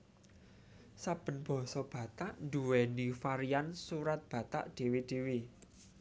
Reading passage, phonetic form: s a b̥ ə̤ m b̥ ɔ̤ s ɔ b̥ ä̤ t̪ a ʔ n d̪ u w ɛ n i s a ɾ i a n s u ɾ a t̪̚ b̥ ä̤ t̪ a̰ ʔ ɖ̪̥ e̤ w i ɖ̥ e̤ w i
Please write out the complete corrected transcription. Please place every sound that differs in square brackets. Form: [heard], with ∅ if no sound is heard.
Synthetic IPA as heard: s a b̥ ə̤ [n] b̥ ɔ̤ s ɔ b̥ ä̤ t̪ a ʔ n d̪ u w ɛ n i [f] a ɾ i a n s u ɾ a t̪̚ b̥ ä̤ t̪ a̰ ʔ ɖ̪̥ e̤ w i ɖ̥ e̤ w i